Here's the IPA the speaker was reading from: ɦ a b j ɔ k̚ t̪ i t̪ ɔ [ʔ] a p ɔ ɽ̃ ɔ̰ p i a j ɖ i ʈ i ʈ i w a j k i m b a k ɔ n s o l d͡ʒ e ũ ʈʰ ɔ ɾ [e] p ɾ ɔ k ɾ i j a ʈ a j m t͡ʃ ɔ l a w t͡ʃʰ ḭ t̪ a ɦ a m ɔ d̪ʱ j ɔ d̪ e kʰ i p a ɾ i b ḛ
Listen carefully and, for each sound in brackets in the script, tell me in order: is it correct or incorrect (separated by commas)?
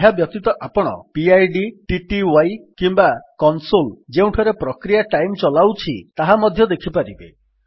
correct, correct